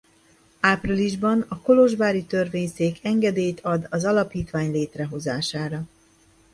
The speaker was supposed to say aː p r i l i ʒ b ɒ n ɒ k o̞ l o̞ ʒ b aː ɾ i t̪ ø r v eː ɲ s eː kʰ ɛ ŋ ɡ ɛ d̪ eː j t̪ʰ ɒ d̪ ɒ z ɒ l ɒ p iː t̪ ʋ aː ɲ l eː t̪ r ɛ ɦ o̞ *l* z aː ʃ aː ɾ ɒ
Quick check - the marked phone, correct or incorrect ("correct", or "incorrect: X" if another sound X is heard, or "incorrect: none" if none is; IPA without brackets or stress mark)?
incorrect: none